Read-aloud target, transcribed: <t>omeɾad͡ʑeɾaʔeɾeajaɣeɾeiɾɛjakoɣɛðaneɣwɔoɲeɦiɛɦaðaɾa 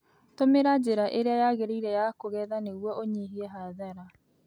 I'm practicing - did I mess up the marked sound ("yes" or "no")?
no